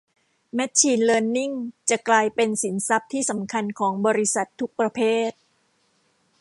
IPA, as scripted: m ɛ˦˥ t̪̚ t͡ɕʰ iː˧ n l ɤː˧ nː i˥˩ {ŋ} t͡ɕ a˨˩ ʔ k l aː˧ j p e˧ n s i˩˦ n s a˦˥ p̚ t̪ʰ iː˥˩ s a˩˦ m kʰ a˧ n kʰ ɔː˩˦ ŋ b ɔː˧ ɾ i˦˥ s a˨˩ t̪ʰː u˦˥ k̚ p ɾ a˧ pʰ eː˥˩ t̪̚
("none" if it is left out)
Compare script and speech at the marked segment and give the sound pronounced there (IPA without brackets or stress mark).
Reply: ŋ